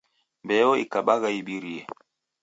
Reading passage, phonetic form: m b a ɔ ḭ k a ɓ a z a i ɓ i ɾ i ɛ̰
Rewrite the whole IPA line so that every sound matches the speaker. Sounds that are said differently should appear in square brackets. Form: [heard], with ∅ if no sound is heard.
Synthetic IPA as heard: m b [ɛ] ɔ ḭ k a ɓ a [ɣ] a i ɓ i ɾ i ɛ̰

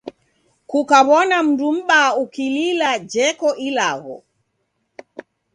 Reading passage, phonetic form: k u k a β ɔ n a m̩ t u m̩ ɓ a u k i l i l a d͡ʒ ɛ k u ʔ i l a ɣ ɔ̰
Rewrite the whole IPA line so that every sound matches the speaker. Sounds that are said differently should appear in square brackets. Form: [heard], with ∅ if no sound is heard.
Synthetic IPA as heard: k u k a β ɔ n a m̩ [d] u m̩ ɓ a u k i l i l a d͡ʒ ɛ k [ɔ] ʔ i l a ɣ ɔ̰

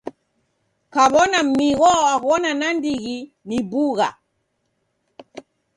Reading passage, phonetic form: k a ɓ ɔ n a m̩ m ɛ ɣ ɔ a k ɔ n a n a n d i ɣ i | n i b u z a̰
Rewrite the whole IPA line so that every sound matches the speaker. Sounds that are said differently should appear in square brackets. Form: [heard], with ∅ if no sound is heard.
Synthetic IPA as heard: k a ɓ ɔ n a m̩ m [i] ɣ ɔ a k ɔ n a n a n d i ɣ i | n i b u [ɣ] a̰

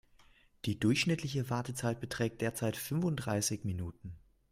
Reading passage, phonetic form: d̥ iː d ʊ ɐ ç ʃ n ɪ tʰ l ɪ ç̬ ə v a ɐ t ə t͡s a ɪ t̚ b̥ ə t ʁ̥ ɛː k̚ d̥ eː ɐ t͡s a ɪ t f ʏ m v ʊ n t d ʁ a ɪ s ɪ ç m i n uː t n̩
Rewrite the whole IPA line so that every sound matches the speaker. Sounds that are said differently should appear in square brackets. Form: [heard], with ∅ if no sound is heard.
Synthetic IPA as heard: d̥ iː d ʊ ɐ ç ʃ n ɪ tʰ l ɪ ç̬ ə v a ɐ t ə t͡s a ɪ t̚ b̥ ə t ʁ̥ ɛː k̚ d̥ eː ɐ t͡s a ɪ t f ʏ [n] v ʊ n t d ʁ a ɪ s ɪ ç m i n uː t n̩

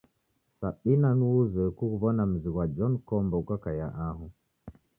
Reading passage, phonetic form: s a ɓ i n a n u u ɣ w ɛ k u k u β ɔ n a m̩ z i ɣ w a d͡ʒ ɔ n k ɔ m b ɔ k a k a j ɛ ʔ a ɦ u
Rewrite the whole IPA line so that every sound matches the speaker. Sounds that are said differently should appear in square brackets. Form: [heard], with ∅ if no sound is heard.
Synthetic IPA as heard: s a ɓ i n a n u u [z] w ɛ k u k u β ɔ n a m̩ z i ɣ w a d͡ʒ ɔ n k ɔ m b ɔ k a k a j [a] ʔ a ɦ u

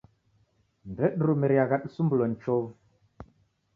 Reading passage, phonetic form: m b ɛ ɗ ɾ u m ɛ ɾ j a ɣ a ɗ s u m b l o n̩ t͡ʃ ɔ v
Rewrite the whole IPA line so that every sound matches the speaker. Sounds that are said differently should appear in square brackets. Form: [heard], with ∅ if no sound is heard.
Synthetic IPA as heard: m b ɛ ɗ ɾ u m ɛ ɾ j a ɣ a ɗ s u m b l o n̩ t͡ʃ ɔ v

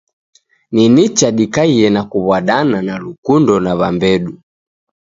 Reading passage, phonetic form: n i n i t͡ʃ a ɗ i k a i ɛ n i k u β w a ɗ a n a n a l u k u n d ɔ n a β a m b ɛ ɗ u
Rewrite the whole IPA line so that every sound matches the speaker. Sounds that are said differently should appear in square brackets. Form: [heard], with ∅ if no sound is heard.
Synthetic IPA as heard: n i n i t͡ʃ a ɗ i k a i ɛ n [a] k u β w a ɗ a n a n a l u k u n d ɔ n a β a m b ɛ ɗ u

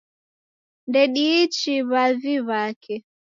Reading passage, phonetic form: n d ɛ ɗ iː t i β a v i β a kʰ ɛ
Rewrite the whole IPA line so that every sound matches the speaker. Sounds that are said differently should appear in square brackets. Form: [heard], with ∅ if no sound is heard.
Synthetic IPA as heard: n d ɛ ɗ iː [t͡ʃ] i β a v i β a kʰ ɛ

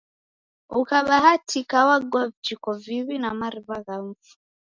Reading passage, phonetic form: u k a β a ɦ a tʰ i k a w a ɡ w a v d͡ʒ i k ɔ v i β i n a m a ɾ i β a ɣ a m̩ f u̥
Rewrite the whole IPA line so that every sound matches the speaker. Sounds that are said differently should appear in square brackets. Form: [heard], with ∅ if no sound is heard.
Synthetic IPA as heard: u k a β a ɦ a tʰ i k a w a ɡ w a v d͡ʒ i k ɔ v i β i n a m a ɾ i β a ɣ a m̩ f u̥

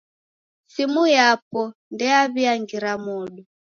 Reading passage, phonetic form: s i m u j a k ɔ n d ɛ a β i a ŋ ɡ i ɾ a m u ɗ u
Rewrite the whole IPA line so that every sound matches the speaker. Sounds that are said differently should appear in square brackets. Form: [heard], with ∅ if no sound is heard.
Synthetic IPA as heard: s i m u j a [p] ɔ n d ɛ a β i a ŋ ɡ i ɾ a m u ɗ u

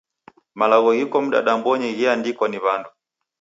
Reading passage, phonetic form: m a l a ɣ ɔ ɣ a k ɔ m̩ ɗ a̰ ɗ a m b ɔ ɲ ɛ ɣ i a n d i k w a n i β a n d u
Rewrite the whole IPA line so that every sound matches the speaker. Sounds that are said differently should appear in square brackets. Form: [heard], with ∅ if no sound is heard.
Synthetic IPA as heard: m a l a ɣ ɔ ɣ [i] k ɔ m̩ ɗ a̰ ɗ a m b ɔ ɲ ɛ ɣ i a n d i k w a n i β a n d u

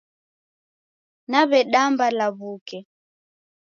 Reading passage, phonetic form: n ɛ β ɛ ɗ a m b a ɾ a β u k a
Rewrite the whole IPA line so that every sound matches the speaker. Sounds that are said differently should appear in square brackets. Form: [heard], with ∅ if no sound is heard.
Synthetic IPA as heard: n [a] β ɛ ɗ a m b a [l] a β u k [ɛ]

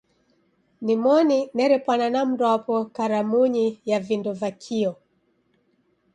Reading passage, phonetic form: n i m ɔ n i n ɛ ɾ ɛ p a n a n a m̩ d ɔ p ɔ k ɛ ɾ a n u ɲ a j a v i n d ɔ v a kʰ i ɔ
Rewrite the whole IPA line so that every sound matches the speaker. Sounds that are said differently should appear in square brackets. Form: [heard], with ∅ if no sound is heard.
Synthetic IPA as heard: n i m ɔ n i n ɛ ɾ ɛ p a n a n a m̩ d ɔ p ɔ k [a] ɾ a [m] u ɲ [i] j a v i n d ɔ v a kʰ i ɔ

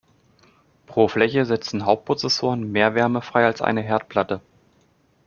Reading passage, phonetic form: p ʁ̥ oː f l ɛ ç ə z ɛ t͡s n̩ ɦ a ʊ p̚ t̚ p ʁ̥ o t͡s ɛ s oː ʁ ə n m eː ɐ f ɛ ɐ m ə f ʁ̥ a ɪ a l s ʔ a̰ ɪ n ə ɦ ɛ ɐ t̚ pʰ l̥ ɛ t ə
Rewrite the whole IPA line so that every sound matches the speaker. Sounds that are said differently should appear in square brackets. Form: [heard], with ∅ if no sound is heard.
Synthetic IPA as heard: p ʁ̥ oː f l ɛ ç ə z ɛ t͡s n̩ ɦ a ʊ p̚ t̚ p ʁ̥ o t͡s ɛ s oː ʁ ə n m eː ɐ [v] ɛ ɐ m ə f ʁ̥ a ɪ a l s ʔ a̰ ɪ n ə ɦ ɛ ɐ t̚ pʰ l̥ [a] t ə

